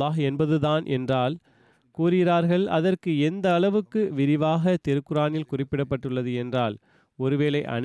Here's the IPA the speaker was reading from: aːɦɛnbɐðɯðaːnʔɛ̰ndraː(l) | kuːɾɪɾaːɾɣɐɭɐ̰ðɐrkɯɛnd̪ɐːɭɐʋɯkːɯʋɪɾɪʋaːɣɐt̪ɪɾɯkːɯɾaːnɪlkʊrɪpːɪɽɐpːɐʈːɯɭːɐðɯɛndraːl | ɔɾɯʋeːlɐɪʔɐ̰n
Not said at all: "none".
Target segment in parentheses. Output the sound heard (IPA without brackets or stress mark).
l